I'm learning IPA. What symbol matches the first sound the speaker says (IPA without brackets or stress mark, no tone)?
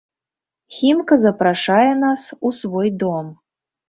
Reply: xʲ